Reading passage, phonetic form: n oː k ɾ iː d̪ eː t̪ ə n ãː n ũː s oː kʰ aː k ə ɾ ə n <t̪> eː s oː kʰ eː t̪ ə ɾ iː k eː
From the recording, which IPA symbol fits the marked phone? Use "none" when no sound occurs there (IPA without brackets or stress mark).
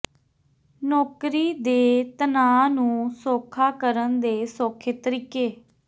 d̪